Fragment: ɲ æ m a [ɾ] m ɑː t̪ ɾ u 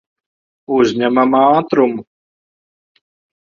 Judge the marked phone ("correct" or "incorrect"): incorrect